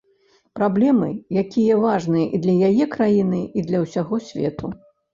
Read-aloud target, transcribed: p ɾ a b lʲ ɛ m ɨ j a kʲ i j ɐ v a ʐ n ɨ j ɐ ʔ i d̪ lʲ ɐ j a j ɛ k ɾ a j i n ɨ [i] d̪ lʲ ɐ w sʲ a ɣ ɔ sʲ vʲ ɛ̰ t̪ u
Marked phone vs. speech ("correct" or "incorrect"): correct